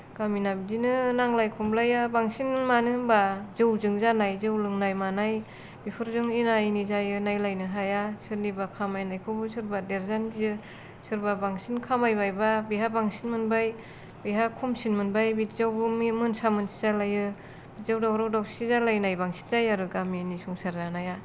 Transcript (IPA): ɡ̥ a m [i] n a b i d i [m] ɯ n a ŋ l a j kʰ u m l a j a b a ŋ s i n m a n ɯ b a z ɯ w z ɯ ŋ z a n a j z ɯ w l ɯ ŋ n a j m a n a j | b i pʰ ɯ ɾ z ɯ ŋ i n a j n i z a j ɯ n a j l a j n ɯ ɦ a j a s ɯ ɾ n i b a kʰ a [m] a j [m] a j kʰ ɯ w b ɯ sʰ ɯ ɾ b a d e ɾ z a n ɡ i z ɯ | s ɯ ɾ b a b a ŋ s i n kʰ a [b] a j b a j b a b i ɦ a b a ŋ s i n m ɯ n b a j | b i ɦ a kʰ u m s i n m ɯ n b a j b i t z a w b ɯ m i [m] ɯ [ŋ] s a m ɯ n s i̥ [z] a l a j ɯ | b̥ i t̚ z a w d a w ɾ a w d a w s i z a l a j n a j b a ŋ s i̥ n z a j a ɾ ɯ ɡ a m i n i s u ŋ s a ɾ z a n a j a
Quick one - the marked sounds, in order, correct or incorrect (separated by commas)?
correct, incorrect, correct, incorrect, incorrect, correct, incorrect, correct